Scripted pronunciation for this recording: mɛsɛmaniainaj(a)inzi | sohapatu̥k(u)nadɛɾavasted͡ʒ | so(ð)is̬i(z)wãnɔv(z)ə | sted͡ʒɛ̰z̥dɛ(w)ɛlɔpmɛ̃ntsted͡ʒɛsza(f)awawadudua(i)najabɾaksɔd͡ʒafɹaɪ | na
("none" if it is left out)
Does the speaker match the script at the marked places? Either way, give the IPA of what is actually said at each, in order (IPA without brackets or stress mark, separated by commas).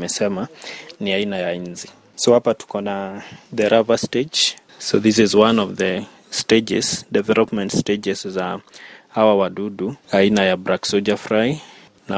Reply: a, ɔ, ð, z, ð, v, h, i